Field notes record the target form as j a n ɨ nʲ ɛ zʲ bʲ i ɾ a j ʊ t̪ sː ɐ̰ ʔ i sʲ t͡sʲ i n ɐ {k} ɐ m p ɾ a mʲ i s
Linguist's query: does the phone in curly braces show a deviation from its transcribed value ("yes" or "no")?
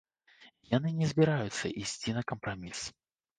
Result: no